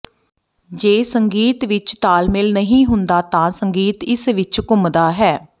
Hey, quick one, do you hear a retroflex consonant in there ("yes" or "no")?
no